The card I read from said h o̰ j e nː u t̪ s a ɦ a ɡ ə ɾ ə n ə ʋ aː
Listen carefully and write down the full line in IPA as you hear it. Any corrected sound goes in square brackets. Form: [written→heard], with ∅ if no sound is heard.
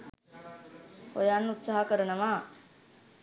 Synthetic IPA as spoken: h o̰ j [e→a] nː u t̪ s a ɦ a [ɡ→k] ə ɾ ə n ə ʋ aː